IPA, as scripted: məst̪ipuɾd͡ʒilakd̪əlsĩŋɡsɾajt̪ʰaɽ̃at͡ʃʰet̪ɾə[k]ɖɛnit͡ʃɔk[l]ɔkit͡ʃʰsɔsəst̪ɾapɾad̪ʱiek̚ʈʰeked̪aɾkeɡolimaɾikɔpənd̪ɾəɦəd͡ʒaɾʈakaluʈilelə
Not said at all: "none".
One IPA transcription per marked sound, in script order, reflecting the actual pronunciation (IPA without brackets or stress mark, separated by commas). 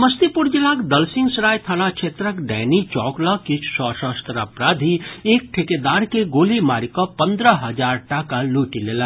k, l